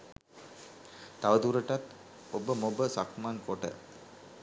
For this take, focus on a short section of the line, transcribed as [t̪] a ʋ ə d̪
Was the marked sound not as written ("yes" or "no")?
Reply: no